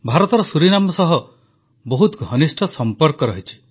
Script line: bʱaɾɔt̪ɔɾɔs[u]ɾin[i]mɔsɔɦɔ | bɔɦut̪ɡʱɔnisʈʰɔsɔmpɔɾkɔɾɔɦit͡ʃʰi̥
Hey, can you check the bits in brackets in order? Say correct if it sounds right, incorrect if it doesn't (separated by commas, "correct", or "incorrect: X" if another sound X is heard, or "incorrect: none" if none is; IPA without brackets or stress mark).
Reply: correct, incorrect: a